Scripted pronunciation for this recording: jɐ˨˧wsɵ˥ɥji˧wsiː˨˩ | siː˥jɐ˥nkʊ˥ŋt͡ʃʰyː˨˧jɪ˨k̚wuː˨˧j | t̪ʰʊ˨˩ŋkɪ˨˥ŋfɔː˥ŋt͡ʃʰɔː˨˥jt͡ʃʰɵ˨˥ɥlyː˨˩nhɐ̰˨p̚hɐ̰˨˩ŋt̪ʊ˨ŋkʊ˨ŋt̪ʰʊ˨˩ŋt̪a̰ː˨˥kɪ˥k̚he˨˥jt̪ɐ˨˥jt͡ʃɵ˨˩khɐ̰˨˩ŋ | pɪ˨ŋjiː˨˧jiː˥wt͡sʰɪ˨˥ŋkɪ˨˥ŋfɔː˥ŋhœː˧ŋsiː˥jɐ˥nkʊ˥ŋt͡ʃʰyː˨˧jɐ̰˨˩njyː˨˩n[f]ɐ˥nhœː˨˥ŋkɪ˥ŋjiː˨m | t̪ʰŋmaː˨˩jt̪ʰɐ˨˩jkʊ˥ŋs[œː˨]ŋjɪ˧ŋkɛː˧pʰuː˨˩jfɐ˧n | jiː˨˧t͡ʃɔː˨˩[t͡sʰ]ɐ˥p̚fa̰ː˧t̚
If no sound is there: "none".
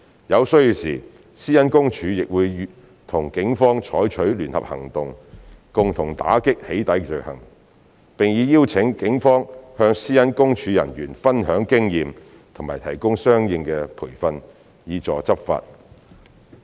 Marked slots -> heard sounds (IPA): f, œː˥, t͡s

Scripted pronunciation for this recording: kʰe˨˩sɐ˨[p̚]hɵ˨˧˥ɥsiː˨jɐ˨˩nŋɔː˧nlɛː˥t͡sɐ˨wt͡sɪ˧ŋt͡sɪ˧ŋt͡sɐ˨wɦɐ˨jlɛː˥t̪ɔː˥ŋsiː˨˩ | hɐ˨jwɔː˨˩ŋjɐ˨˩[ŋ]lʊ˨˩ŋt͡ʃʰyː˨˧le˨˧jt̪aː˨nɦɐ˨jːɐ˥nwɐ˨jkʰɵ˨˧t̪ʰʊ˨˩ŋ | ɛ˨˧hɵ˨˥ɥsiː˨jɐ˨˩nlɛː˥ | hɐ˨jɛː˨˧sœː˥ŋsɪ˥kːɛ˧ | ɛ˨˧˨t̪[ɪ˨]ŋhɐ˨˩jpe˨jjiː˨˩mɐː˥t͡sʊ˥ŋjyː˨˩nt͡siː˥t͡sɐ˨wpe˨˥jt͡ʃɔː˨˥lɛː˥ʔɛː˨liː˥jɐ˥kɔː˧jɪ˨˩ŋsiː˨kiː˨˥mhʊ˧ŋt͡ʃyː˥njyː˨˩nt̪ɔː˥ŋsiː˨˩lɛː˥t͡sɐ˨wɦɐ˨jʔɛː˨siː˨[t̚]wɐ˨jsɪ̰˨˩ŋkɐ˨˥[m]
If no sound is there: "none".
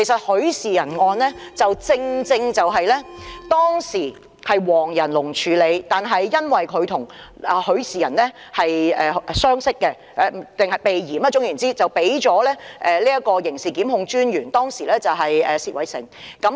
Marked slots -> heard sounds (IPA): t̚, n, ɪ˨, t̚, m

